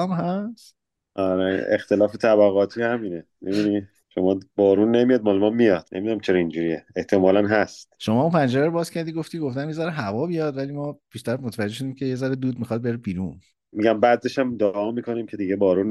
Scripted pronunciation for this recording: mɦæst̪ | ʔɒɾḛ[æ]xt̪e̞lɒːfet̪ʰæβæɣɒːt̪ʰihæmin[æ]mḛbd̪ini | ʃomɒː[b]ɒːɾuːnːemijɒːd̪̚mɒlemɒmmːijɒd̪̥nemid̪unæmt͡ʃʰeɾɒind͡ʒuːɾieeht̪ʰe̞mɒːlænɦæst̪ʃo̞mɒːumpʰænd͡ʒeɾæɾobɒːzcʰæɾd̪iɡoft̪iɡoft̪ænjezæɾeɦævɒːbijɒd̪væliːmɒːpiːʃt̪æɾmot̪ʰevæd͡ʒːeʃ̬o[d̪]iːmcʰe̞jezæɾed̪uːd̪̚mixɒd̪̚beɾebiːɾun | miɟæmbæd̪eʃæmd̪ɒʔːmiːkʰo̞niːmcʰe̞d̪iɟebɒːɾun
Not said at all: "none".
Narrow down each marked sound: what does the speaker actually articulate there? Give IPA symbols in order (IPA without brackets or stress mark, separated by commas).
e, e, b, d̪